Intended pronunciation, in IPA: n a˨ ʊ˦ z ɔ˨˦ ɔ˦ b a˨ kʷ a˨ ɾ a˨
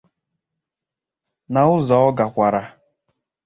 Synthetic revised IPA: n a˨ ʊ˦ z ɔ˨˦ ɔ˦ ɡ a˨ kʷ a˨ ɾ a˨